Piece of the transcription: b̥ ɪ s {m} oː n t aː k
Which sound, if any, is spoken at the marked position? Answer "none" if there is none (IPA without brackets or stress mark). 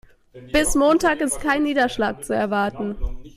m